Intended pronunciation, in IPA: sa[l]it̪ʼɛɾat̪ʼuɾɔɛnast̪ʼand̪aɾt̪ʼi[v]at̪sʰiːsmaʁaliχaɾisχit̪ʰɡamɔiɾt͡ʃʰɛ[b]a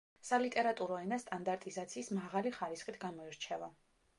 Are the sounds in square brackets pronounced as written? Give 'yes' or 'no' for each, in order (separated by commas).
yes, no, no